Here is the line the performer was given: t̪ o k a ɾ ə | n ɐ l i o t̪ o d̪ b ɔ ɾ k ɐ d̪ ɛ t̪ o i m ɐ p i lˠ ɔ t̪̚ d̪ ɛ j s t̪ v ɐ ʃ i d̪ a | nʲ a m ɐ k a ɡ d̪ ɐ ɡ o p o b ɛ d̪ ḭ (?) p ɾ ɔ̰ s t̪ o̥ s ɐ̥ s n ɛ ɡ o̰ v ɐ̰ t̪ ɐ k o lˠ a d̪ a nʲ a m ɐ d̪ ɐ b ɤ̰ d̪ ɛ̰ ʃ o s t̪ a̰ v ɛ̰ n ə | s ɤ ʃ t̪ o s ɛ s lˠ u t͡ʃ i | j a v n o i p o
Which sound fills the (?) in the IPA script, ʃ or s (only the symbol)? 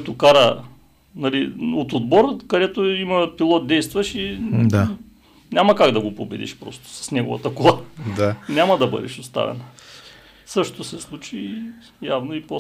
ʃ